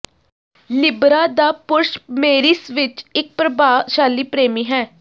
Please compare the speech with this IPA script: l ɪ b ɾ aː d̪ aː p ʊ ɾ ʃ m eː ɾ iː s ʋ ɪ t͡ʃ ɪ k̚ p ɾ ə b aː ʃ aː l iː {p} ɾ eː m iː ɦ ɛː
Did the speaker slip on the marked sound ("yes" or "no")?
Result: no